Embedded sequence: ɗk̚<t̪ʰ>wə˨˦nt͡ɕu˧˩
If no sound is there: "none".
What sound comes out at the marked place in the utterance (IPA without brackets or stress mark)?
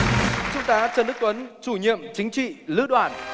t̪